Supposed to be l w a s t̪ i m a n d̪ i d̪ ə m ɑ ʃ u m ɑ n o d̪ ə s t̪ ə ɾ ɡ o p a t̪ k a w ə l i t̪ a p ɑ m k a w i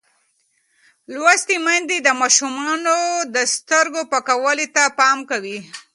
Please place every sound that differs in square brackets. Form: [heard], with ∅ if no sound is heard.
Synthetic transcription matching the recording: l w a s t̪ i m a n d̪ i d̪ ə m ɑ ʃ u m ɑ n o d̪ ə s t̪ ə ɾ ɡ o p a [∅] k a w ə l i t̪ a p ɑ m k a w i